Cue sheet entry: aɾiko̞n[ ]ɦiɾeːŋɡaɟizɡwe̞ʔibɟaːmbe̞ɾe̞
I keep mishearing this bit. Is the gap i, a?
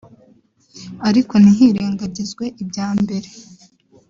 i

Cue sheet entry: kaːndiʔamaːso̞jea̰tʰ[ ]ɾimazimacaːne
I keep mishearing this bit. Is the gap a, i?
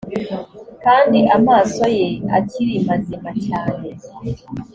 i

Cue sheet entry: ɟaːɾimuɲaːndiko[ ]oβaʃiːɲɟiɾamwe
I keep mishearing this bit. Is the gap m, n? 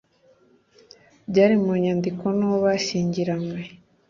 n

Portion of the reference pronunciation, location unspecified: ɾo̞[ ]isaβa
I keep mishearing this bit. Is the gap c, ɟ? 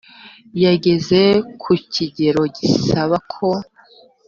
ɟ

